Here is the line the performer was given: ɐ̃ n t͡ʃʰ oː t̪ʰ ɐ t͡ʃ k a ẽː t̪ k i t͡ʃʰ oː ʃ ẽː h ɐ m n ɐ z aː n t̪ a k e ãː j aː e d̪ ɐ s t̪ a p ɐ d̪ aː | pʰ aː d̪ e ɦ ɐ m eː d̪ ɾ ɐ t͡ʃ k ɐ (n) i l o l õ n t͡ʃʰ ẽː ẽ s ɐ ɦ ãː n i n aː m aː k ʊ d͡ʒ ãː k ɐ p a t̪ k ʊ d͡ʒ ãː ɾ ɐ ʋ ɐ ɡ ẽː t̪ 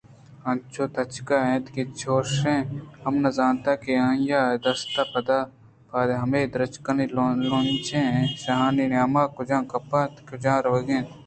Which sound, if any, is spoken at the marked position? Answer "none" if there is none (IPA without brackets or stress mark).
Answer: n